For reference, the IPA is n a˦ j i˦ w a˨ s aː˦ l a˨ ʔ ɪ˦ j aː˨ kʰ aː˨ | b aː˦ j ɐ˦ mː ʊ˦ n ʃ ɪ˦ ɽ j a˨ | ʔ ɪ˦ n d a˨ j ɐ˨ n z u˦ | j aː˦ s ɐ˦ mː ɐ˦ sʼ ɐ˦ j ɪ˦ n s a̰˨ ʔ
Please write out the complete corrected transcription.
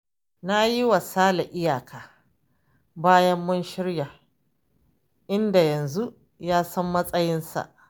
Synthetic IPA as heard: n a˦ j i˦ w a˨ s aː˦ l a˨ ʔ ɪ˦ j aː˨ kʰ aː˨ | b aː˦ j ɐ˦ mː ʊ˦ n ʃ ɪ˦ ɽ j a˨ | ʔ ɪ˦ n d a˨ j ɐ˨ n z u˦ | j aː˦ s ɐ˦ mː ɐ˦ sʼ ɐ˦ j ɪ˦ n s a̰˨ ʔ